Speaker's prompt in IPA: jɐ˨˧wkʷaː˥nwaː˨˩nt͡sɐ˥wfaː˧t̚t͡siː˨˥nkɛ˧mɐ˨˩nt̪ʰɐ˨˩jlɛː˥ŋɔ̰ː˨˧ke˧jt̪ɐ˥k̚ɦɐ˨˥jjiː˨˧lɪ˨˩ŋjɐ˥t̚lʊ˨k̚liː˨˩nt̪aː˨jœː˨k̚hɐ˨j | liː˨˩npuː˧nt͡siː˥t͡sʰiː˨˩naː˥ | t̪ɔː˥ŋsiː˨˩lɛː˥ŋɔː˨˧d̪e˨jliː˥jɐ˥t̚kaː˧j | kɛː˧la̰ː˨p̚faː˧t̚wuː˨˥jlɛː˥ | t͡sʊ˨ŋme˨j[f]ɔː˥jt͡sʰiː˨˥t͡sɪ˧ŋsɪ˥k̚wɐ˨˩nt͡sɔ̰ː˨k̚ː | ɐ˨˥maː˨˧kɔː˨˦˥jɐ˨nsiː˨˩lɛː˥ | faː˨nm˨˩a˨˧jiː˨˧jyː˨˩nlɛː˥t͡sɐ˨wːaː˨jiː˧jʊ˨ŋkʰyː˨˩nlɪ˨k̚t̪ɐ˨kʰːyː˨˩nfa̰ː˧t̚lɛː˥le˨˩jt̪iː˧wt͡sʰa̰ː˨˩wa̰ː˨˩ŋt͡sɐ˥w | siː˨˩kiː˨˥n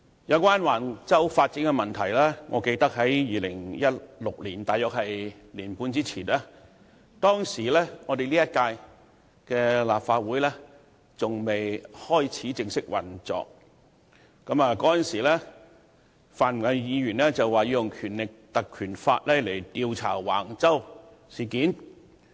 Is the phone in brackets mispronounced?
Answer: yes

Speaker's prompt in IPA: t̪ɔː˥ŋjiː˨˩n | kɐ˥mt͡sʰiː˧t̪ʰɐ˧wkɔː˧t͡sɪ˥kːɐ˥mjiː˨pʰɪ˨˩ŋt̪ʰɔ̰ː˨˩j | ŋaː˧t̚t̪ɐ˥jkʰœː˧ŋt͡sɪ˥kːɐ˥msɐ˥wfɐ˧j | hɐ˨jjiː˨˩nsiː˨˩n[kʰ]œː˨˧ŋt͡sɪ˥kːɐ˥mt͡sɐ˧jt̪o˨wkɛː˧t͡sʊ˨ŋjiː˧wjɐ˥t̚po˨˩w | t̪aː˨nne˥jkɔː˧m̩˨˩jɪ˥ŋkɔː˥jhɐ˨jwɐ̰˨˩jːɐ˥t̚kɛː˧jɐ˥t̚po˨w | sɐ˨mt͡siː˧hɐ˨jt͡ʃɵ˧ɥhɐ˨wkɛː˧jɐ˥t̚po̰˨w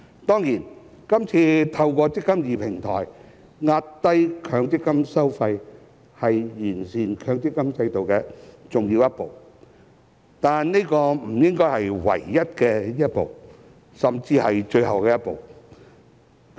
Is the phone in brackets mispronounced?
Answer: no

